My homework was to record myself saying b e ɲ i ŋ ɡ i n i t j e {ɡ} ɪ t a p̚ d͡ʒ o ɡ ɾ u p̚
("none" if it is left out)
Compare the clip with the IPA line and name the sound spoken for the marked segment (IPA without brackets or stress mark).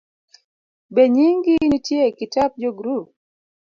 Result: k